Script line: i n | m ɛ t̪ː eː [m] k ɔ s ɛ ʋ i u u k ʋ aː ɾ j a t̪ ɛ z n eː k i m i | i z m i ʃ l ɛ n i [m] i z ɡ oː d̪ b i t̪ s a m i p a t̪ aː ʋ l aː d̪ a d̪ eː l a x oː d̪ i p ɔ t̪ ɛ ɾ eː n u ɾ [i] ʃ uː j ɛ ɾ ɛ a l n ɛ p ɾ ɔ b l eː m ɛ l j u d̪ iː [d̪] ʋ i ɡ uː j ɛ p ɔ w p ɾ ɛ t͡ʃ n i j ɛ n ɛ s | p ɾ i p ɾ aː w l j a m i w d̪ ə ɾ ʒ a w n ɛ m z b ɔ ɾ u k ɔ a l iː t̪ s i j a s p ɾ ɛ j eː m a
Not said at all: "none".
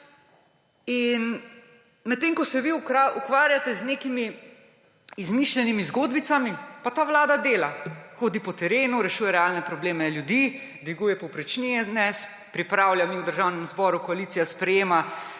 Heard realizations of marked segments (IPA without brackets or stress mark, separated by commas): ŋ, m, ɛ, d̪